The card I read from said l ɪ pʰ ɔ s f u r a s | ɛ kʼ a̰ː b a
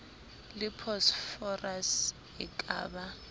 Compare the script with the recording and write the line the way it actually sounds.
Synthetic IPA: l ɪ pʰ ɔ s f ɔ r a s | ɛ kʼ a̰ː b a